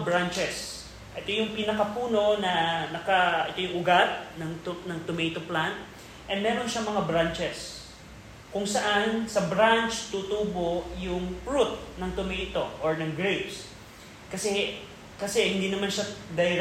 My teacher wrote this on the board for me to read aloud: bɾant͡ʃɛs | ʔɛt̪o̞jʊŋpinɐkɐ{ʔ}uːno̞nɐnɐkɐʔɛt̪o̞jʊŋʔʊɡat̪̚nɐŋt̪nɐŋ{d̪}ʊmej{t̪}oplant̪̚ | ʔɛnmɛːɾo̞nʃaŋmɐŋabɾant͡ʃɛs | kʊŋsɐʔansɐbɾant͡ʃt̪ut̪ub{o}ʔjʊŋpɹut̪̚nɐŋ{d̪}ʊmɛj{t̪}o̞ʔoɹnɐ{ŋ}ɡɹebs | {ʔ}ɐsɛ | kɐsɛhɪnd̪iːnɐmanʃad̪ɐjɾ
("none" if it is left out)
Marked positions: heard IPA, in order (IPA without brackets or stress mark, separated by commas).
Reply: p, t̪, t̪, o, t̪, t̪, ŋ, k